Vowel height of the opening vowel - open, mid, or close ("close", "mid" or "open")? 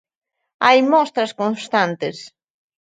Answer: open